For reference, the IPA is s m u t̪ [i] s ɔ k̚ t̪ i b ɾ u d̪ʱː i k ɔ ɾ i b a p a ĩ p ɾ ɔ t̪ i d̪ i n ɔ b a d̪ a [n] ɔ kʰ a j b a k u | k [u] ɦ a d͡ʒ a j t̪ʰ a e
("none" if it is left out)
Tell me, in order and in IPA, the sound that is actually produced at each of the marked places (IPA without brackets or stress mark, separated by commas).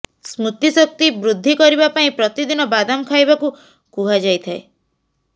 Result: i, m, u